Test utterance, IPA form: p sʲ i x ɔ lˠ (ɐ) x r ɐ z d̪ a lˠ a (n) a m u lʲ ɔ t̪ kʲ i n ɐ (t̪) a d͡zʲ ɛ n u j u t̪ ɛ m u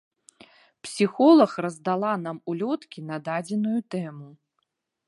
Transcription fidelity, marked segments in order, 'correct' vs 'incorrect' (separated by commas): correct, correct, incorrect